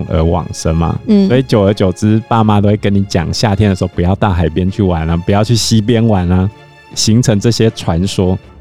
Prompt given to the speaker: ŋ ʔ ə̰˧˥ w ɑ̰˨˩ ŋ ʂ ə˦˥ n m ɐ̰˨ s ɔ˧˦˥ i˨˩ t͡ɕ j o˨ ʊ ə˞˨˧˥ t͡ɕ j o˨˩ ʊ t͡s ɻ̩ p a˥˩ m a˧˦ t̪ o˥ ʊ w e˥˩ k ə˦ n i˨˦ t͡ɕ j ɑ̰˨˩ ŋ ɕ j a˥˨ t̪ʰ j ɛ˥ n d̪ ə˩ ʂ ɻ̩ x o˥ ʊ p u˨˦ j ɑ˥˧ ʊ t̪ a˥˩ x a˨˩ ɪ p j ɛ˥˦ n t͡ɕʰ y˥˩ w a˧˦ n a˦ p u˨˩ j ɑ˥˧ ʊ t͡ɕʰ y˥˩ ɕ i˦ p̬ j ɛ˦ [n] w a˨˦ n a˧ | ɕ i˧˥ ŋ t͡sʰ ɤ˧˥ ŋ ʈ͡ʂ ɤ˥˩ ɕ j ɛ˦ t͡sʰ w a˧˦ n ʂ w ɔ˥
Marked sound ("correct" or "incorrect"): correct